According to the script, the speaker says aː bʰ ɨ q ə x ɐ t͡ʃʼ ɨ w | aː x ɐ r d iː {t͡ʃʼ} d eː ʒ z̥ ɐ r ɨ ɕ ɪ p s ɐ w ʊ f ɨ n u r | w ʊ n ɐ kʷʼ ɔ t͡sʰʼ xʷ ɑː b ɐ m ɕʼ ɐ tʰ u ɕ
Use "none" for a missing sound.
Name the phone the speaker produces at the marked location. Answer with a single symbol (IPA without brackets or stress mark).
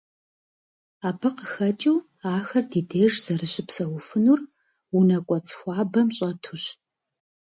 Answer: none